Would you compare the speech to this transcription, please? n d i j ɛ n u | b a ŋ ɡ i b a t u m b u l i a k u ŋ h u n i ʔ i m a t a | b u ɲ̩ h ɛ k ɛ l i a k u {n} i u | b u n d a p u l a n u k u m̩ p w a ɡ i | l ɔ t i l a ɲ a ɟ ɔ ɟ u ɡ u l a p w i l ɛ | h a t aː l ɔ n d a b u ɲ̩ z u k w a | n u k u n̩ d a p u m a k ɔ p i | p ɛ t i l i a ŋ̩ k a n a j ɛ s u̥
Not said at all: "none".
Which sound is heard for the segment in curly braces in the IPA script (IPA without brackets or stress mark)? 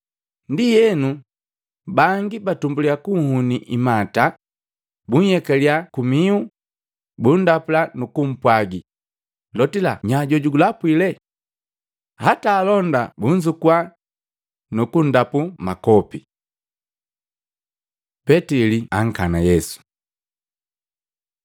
m